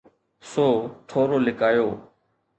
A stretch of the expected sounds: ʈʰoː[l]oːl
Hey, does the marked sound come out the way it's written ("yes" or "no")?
no